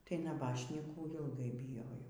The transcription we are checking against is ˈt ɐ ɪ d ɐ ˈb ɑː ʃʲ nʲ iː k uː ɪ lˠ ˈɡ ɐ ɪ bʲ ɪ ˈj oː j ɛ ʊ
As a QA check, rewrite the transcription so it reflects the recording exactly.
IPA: ˈt ɐ ɪ n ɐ ˈb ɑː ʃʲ nʲ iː k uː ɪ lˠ ˈɡ ɐ ɪ bʲ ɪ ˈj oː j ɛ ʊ